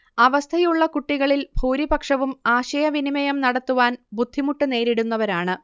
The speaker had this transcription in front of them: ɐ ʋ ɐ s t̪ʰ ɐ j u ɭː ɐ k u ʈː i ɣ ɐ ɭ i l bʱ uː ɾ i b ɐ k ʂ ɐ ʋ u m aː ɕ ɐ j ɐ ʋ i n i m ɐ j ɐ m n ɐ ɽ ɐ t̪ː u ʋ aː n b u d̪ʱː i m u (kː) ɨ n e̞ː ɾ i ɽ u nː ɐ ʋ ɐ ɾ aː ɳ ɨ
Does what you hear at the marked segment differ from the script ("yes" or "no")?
yes